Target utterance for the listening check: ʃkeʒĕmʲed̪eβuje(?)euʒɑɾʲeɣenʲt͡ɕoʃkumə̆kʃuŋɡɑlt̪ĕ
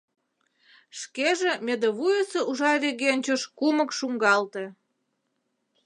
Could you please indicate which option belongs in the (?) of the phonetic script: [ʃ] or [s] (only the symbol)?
s